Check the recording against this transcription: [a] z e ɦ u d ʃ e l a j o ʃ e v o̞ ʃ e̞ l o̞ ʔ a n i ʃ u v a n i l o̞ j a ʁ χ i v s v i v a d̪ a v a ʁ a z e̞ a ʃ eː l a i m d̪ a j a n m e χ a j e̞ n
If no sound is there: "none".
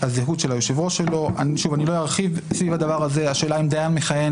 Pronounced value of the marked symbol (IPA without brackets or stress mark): a